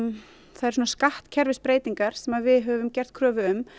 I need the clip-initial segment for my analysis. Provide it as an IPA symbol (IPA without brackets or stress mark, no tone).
θ